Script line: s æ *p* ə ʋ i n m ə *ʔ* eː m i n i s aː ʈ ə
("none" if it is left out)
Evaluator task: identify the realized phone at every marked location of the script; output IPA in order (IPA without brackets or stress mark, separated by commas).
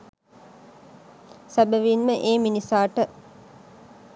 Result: b, ʔ